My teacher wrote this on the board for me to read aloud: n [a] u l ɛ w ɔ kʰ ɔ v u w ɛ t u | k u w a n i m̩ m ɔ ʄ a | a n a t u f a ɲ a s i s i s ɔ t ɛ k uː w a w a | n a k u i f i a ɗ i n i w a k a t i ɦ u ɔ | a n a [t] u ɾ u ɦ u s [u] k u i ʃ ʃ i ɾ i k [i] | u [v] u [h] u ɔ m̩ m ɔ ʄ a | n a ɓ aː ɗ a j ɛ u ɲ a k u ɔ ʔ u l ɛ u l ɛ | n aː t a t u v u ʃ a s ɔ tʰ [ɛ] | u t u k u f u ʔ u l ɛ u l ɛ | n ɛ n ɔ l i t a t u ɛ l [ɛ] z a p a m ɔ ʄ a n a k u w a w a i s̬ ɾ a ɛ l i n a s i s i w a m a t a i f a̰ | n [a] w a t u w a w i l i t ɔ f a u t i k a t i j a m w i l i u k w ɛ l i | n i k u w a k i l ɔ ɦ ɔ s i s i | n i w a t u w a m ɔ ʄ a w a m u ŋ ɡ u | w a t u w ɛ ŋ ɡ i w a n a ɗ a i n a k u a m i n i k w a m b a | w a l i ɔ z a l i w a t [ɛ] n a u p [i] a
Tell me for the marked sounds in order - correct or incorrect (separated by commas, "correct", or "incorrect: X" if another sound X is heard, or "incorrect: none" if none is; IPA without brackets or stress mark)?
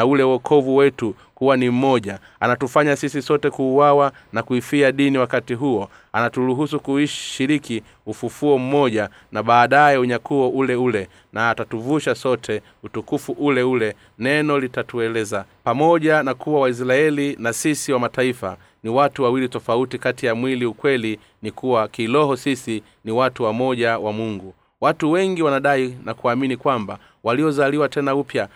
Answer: correct, correct, correct, correct, incorrect: f, incorrect: f, correct, correct, incorrect: i, correct, incorrect: j